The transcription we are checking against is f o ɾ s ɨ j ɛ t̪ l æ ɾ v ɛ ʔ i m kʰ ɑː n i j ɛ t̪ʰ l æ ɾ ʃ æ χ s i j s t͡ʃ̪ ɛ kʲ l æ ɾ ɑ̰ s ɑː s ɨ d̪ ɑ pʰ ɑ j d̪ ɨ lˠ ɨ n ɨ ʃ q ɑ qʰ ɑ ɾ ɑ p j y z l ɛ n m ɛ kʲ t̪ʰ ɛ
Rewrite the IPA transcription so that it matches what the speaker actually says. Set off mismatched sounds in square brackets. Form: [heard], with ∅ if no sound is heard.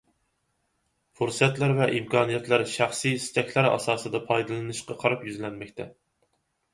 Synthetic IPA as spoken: f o ɾ s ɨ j ɛ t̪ l æ ɾ v ɛ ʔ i m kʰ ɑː n i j ɛ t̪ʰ l æ ɾ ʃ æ χ s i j s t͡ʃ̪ ɛ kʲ l æ ɾ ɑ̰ s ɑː s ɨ d̪ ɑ pʰ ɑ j d̪ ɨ lˠ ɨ n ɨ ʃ q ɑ qʰ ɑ ɾ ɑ p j y z l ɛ n m ɛ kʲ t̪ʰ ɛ

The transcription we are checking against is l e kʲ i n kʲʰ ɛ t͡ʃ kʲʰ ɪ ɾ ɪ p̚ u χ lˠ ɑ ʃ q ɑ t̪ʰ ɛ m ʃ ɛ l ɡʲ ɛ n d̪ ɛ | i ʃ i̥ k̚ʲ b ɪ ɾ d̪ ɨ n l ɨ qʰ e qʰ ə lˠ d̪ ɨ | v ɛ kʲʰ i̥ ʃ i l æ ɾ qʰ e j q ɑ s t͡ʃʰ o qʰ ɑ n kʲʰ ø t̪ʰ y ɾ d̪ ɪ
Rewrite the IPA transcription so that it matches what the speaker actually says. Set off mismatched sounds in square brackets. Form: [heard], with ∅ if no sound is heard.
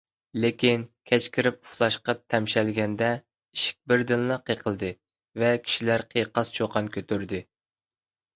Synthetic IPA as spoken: l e kʲ i n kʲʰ ɛ t͡ʃ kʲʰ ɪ ɾ ɪ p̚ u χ lˠ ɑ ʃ q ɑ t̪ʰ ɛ m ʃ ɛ l ɡʲ ɛ n d̪ ɛ | i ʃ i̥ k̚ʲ b ɪ ɾ d̪ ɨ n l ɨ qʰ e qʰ ə lˠ d̪ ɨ | v ɛ kʲʰ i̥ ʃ i l æ ɾ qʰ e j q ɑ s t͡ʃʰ o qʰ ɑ n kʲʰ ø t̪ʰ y ɾ d̪ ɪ

